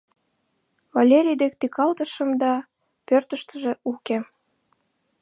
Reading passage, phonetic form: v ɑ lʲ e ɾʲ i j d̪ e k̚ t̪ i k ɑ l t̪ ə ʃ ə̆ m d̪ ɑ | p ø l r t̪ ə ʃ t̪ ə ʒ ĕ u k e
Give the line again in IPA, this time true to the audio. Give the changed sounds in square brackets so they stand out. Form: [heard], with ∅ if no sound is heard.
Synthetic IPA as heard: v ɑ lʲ e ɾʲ i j d̪ e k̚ t̪ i k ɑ l t̪ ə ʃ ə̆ m d̪ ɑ | p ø [∅] r t̪ ə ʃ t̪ ə ʒ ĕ u k e